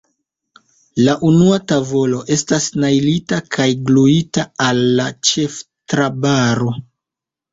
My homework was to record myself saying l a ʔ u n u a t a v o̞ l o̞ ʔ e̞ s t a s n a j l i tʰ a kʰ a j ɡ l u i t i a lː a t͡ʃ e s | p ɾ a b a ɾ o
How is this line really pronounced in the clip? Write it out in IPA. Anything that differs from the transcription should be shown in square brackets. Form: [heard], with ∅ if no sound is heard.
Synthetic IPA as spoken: l a ʔ u n u a t a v o̞ l o̞ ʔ e̞ s t a s n a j l i [t] a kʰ a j ɡ l u i t [a] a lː a t͡ʃ e [f] | [t] ɾ a b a ɾ o